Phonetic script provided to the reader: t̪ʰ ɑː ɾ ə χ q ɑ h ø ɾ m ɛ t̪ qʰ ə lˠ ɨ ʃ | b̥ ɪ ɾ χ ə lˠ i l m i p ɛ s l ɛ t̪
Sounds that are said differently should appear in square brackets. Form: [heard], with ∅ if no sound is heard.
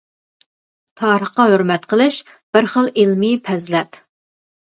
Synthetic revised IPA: t̪ʰ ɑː ɾ ə χ q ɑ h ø ɾ m ɛ t̪ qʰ ə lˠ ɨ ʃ | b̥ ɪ ɾ χ ə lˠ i l m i [pʰ] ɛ [z] l ɛ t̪